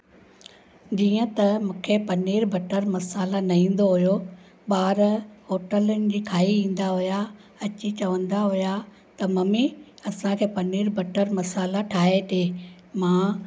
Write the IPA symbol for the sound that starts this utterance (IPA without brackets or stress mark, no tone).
d͡ʑ